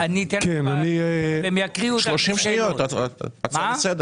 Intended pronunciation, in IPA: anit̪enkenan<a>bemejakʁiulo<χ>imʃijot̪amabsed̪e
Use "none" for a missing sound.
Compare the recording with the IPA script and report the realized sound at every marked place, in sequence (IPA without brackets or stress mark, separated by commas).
i, ʃ